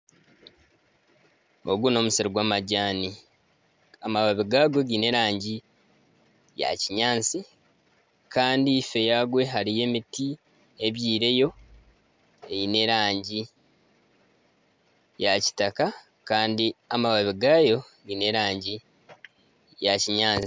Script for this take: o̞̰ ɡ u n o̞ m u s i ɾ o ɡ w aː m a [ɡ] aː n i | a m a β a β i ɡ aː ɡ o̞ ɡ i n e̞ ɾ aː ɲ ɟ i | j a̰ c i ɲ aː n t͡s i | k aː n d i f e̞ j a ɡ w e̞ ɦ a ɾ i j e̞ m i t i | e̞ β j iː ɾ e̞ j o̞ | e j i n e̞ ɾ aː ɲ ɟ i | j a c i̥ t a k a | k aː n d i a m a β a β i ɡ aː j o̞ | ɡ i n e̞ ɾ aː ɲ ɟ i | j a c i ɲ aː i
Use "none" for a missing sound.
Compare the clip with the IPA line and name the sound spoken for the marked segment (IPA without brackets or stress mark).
ɟ